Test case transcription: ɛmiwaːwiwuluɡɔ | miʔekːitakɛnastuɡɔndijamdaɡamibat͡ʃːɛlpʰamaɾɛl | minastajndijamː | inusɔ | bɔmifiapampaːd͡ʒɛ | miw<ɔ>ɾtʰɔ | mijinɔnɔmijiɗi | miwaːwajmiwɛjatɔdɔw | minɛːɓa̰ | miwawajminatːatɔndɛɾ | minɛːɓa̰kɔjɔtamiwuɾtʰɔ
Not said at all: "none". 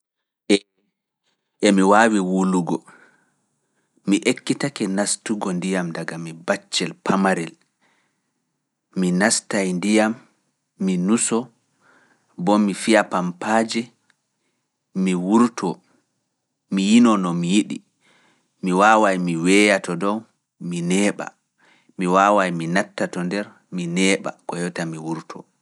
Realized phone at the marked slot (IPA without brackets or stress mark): u